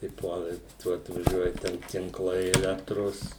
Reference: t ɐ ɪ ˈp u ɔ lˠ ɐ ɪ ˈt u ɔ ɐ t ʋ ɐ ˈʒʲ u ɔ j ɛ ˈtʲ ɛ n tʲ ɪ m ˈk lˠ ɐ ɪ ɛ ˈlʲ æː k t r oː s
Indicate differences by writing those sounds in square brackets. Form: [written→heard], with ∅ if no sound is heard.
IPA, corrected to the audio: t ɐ ɪ ˈp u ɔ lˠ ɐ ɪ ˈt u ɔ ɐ t ʋ ɐ ˈʒʲ u ɔ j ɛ ˈtʲ ɛ n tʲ ɪ [m→ŋ] ˈk lˠ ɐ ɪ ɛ ˈlʲ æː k t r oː s